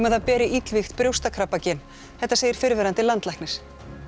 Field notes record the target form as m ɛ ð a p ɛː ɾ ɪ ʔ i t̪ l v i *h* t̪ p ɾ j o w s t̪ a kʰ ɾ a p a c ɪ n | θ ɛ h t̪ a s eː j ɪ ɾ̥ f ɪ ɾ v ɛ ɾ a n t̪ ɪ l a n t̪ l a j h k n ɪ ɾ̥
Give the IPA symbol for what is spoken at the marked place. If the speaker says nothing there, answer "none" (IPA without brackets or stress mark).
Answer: x